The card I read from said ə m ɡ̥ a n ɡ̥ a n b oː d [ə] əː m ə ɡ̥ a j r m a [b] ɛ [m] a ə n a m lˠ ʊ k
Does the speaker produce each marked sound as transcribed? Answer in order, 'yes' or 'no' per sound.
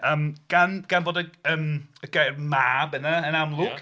yes, yes, no

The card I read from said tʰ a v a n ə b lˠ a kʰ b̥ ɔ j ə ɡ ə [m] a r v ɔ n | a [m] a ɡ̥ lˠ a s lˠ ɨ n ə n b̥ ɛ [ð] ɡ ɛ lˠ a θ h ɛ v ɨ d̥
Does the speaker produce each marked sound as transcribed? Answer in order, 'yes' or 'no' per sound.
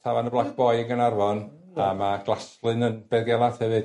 no, yes, yes

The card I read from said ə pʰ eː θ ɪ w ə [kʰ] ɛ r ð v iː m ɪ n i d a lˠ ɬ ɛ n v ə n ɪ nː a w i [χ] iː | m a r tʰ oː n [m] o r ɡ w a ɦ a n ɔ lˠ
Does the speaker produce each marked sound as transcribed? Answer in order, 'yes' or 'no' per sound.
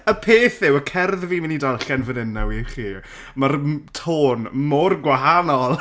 yes, yes, yes

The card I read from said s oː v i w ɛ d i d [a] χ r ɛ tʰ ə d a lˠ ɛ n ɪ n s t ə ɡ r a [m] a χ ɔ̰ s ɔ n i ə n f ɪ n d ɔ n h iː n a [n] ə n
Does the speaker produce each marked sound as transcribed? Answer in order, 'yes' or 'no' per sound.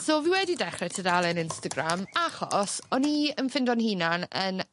no, yes, yes

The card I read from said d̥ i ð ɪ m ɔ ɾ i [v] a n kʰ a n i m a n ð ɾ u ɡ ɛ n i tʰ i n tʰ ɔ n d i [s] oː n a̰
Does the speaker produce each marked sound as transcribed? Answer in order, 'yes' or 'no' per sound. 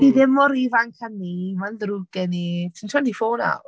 yes, no

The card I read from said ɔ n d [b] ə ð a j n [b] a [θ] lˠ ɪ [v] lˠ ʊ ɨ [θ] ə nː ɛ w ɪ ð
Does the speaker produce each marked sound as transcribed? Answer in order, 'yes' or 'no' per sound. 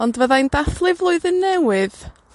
no, no, yes, yes, no

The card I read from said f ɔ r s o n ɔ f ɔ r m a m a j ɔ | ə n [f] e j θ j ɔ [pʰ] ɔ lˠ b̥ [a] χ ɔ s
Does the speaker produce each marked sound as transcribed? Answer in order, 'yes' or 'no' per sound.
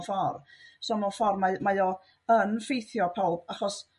yes, yes, yes

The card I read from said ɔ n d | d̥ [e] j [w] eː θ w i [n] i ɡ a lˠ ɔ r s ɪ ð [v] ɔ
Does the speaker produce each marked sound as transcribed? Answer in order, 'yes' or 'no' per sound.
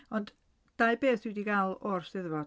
no, no, no, yes

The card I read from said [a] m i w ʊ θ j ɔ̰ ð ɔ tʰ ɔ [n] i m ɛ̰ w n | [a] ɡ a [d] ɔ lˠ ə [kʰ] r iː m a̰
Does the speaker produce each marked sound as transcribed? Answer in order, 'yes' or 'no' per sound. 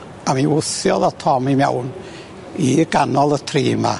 yes, no, no, no, no

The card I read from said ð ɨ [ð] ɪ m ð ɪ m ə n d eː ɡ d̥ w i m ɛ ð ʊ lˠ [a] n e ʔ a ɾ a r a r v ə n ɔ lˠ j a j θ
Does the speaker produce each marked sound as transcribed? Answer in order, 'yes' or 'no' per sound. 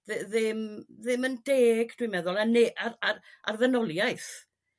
yes, yes

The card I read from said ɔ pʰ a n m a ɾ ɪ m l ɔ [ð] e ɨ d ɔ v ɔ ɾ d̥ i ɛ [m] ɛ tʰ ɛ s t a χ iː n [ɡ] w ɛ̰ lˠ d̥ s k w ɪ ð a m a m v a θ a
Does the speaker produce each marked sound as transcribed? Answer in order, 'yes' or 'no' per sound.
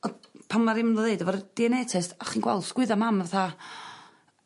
yes, no, yes

